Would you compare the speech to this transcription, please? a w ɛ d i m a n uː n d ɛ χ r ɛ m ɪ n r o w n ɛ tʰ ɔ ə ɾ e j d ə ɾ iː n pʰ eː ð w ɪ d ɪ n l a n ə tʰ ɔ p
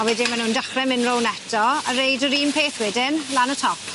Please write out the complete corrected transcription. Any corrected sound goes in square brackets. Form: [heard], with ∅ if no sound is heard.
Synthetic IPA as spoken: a w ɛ d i m a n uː n d [a] χ r ɛ m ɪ n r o w n ɛ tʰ ɔ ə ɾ e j d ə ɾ iː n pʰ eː [θ] w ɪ d ɪ n l a n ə tʰ ɔ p

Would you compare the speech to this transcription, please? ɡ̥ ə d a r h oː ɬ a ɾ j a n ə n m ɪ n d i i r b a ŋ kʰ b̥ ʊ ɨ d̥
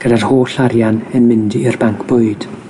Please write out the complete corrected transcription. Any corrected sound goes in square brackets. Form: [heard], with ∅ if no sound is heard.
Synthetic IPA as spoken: ɡ̥ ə d a r h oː ɬ a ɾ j a n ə n m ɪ n d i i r b a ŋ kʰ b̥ ʊ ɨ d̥

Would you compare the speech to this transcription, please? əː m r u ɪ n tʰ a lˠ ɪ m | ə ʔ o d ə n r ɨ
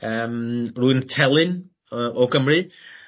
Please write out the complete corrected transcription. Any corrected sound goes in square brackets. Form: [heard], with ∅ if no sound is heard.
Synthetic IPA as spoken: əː m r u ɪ n tʰ [ɛ] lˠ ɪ [n] | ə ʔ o [ɡ] ə [m] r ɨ

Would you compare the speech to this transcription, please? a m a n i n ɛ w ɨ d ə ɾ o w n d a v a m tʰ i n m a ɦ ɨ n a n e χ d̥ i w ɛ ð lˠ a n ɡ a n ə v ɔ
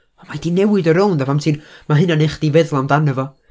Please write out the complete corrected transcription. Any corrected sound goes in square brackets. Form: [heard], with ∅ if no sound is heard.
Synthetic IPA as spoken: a m a [d] i n ɛ w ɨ d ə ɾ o w n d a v a m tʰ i n m a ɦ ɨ n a n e χ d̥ i [v] ɛ ð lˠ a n [d] a n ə v ɔ

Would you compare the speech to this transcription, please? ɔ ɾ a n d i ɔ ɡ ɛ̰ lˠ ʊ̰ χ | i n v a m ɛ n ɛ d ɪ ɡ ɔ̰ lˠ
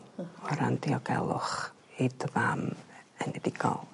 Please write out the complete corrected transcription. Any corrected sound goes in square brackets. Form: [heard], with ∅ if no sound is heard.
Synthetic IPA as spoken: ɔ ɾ a n d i ɔ ɡ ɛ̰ lˠ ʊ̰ χ | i [d] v a m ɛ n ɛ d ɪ ɡ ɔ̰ lˠ

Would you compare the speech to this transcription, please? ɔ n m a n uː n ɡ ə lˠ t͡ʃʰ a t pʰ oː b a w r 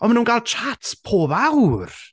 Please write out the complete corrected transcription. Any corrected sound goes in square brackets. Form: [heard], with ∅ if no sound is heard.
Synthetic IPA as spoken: ɔ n m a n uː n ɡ [a] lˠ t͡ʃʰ a t pʰ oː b a w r

